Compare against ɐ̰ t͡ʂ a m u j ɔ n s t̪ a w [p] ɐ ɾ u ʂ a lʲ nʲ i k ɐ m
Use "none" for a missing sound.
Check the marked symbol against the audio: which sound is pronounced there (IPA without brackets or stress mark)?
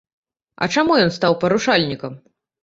p